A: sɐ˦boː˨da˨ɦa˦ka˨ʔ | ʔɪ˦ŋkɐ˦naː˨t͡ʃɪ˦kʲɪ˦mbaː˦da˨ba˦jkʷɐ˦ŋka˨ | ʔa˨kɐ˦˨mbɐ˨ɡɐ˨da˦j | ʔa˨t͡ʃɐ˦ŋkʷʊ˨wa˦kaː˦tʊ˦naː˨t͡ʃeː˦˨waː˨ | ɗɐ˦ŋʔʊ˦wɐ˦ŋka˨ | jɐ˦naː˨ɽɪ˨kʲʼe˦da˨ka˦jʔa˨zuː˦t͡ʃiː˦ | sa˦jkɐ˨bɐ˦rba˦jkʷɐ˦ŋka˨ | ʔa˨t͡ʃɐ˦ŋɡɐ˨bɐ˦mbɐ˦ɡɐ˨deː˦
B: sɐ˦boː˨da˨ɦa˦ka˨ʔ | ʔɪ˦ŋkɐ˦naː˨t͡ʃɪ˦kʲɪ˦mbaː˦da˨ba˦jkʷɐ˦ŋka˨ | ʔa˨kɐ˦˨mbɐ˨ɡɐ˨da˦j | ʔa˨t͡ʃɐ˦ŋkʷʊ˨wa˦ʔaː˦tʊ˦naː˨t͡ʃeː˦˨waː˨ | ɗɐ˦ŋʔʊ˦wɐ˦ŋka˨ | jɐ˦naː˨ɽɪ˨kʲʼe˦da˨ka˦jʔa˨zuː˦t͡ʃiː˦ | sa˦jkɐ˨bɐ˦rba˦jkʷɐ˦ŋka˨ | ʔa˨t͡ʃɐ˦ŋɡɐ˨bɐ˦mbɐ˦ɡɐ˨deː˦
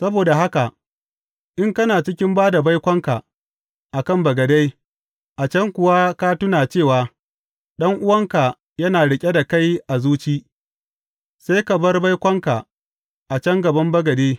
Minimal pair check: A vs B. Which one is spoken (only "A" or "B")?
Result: A